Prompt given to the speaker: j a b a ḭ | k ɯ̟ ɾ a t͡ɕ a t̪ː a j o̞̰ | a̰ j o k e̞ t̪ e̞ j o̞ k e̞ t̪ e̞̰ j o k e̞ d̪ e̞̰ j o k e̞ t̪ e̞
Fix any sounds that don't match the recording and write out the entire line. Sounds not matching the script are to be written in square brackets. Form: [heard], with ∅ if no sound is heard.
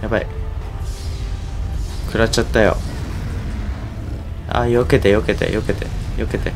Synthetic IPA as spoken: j a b a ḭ | k ɯ̟ ɾ a t͡ɕ a t̪ː a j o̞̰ | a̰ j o k e̞ t̪ e̞ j o̞ k e̞ t̪ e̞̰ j o k e̞ [t̪] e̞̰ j o k e̞ t̪ e̞

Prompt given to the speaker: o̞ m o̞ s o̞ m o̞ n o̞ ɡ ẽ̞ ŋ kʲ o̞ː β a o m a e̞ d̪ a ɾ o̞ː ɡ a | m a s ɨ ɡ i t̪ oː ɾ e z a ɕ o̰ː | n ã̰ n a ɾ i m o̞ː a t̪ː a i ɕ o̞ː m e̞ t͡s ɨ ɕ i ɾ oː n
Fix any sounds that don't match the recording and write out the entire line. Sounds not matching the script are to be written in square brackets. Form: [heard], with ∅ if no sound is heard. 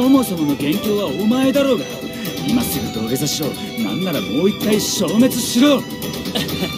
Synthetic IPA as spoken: o̞ m o̞ s o̞ m o̞ n o̞ ɡ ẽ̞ ŋ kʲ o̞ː β a o m a e̞ d̪ a ɾ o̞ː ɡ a | m a s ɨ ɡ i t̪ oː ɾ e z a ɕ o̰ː | n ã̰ [nː] a ɾ [a] m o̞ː [i] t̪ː a i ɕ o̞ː m e̞ t͡s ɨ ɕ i ɾ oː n

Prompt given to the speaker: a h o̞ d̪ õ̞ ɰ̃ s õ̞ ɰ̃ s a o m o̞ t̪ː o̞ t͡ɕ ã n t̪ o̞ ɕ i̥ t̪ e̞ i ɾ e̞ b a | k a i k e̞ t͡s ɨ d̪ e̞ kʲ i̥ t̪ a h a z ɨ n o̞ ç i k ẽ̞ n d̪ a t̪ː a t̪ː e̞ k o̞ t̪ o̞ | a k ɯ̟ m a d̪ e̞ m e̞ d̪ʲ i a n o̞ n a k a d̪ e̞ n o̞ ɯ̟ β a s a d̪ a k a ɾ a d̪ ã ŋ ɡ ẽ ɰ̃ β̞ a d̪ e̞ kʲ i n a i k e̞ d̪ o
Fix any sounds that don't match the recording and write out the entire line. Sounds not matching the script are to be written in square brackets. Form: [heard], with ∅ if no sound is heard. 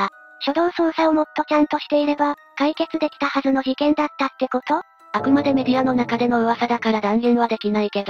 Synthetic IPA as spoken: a [ɕ] o̞ d̪ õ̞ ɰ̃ s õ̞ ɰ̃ s a o m o̞ t̪ː o̞ t͡ɕ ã n t̪ o̞ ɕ i̥ t̪ e̞ i ɾ e̞ b a | k a i k e̞ t͡s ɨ d̪ e̞ kʲ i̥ t̪ a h a z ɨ n o̞ ç i k ẽ̞ n d̪ a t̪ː a t̪ː e̞ k o̞ t̪ o̞ | a k ɯ̟ m a d̪ e̞ m e̞ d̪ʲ i a n o̞ n a k a d̪ e̞ n o̞ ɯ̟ β a s a d̪ a k a ɾ a d̪ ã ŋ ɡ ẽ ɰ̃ β̞ a d̪ e̞ kʲ i n a i k e̞ d̪ o

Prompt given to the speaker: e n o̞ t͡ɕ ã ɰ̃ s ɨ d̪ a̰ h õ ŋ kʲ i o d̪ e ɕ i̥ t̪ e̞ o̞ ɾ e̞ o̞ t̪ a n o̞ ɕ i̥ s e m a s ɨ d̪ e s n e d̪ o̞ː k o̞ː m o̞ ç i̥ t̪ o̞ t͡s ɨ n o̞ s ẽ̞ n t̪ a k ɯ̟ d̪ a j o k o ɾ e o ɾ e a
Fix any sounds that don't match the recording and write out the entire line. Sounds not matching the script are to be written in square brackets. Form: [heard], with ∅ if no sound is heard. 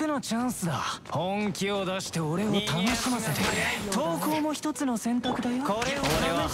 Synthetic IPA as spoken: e n o̞ t͡ɕ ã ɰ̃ s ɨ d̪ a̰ h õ ŋ kʲ i o d̪ [a] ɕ i̥ t̪ e̞ o̞ ɾ e̞ o̞ t̪ a n o̞ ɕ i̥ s e m a s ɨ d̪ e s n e [t̪] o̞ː k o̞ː m o̞ ç i̥ t̪ o̞ t͡s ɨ n o̞ s ẽ̞ n t̪ a k ɯ̟ d̪ a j o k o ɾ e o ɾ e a

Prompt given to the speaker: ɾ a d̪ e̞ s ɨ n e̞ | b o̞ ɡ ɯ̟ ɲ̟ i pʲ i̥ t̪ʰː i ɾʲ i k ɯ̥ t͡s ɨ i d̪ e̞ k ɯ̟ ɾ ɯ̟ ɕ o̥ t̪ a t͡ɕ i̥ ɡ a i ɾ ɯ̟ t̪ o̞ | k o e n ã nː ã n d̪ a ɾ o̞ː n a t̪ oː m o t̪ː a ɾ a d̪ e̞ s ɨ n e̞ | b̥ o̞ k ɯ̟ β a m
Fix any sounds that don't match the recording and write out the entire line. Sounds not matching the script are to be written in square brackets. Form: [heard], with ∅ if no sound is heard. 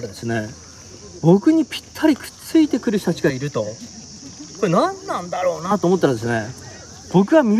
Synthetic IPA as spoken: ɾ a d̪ e̞ s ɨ n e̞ | b o̞ [k] ɯ̟ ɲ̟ i pʲ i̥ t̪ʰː [a] ɾʲ i k ɯ̥ t͡s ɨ i [t̪] e̞ k ɯ̟ ɾ ɯ̟ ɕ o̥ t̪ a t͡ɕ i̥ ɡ a i ɾ ɯ̟ t̪ o̞ | k o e n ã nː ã n d̪ a ɾ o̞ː n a t̪ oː m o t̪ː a ɾ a d̪ e̞ s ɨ n e̞ | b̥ o̞ k ɯ̟ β a m

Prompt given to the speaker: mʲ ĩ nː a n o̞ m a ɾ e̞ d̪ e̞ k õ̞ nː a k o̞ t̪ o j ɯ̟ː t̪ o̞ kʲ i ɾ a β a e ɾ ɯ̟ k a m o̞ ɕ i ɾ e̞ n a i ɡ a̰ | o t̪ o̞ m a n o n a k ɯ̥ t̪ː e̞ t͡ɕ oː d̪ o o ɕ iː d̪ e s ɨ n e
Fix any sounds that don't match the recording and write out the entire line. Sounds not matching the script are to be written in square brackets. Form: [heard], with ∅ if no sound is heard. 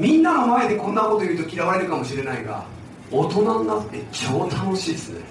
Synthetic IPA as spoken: mʲ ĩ nː a n o̞ m a [∅] e̞ d̪ e̞ k õ̞ nː a k o̞ t̪ o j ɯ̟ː t̪ o̞ kʲ i ɾ a β a e ɾ ɯ̟ k a m o̞ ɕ i ɾ e̞ n a i ɡ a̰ | o t̪ o̞ [n] a n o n a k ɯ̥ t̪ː e̞ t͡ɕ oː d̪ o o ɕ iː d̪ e s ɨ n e

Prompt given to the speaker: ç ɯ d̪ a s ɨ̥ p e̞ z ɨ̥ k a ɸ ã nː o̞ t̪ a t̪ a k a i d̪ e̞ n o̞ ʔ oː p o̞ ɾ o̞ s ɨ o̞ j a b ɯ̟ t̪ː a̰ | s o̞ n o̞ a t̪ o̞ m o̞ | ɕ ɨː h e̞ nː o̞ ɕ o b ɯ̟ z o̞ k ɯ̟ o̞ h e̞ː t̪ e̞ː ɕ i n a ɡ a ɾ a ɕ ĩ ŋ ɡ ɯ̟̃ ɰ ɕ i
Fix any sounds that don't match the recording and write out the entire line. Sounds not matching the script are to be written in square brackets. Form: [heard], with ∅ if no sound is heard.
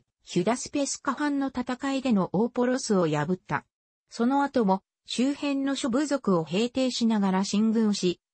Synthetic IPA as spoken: ç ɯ d̪ a s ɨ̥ p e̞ [s] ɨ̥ k a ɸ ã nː o̞ t̪ a t̪ a k a i d̪ e̞ n o̞ ʔ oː p o̞ ɾ o̞ s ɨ o̞ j a b ɯ̟ t̪ː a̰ | s o̞ n o̞ a t̪ o̞ m o̞ | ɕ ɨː h [ẽ̞] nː o̞ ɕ o b ɯ̟ z o̞ k ɯ̟ o̞ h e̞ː t̪ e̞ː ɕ i n a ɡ a ɾ a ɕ ĩ ŋ ɡ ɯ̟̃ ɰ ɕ i

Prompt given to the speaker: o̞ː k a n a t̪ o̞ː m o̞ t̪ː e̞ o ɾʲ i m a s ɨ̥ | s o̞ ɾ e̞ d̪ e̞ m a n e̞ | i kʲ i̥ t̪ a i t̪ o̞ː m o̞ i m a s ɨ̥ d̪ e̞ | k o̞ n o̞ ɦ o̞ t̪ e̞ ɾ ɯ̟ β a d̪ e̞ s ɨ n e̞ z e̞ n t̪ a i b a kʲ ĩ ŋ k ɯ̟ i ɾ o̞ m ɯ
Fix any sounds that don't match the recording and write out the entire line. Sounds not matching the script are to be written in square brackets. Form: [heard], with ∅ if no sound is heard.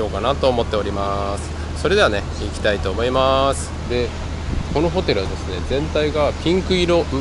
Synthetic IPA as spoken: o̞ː k a n a t̪ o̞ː m o̞ t̪ː e̞ o ɾʲ i m a s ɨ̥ | s o̞ ɾ e̞ d̪ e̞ [∅] a n e̞ | i kʲ i̥ t̪ a i t̪ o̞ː m o̞ i m a s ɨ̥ d̪ e̞ | k o̞ n o̞ ɦ o̞ t̪ e̞ ɾ ɯ̟ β a d̪ e̞ s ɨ n e̞ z [ẽ̞] n t̪ a i [ɡ] a [pʲ] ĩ ŋ k ɯ̟ i ɾ o̞ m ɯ

